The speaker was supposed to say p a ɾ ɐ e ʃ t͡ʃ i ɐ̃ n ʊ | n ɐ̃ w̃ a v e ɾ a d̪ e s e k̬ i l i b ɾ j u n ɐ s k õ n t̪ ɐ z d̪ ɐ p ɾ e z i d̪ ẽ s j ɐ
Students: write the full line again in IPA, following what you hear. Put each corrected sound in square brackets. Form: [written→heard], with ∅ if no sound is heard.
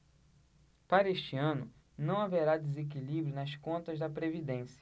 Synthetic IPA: p a ɾ ɐ e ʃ t͡ʃ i ɐ̃ n ʊ | n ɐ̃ w̃ a v e ɾ a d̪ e [s→z] e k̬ i l i b ɾ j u n ɐ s k õ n t̪ ɐ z d̪ ɐ p ɾ e [z→v] i d̪ ẽ s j ɐ